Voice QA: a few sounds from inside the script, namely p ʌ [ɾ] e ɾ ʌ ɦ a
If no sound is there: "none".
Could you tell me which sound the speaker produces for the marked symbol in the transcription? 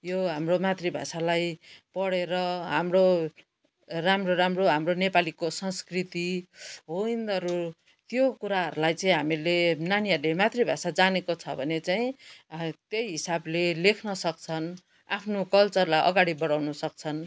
ɽ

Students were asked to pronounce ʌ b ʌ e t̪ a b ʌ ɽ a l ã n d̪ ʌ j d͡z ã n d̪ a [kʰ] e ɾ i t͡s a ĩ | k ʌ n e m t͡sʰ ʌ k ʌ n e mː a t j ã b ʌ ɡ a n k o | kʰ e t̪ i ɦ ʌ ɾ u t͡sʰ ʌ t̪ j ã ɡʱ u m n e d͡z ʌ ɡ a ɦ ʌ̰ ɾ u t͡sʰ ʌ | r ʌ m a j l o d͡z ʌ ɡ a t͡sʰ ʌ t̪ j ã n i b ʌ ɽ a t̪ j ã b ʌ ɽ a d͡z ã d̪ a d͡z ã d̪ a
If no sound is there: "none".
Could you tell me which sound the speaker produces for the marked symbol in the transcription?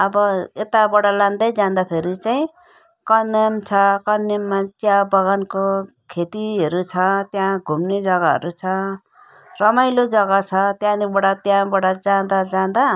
pʰ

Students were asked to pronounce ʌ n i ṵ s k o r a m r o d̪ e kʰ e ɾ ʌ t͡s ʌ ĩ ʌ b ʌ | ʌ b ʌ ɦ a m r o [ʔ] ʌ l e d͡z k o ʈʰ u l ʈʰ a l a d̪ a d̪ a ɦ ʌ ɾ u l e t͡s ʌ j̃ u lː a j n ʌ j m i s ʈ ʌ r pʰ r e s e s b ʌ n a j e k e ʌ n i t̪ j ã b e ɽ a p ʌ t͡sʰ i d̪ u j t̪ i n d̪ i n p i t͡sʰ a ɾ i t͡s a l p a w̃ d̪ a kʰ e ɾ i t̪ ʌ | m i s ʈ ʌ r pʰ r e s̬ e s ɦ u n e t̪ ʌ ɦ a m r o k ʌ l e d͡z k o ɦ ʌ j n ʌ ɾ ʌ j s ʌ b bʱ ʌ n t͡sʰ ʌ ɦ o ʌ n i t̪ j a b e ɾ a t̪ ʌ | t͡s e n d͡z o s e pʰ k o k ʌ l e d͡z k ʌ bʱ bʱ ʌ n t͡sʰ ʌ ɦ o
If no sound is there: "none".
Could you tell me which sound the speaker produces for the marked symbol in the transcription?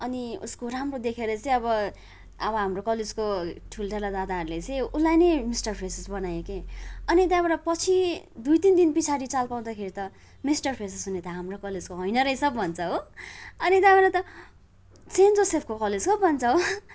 k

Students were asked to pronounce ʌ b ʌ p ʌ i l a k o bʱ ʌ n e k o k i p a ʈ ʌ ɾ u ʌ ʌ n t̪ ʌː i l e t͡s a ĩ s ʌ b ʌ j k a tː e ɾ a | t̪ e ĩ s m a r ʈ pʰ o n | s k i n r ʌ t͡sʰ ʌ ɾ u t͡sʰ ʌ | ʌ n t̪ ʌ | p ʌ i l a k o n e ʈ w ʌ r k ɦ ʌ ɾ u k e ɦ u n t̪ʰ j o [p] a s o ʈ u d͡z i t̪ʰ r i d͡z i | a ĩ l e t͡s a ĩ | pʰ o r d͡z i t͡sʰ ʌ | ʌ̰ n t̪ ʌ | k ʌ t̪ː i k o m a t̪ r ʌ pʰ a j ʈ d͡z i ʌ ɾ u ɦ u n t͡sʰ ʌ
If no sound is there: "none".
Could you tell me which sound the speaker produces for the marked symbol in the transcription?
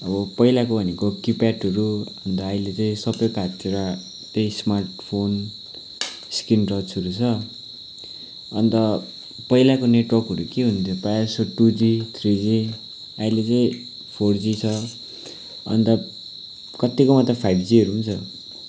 p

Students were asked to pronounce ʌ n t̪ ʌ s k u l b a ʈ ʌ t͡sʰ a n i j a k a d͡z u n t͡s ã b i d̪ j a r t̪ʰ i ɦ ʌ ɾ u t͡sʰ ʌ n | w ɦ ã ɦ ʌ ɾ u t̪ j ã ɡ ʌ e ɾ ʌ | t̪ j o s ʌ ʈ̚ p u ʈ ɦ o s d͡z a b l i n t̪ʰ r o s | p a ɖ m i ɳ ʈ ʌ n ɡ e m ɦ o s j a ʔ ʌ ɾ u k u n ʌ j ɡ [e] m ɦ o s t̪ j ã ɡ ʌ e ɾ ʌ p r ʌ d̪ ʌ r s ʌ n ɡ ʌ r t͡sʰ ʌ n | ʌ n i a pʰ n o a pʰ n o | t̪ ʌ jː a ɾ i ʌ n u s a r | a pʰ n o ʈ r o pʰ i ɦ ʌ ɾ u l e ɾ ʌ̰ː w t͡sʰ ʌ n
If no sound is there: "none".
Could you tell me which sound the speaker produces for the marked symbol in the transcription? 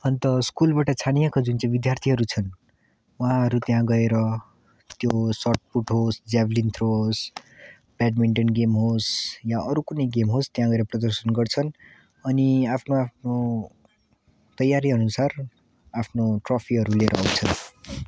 e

